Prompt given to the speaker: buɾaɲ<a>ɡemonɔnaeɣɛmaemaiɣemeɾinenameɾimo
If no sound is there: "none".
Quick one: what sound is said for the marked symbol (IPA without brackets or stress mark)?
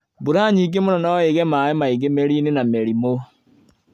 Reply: i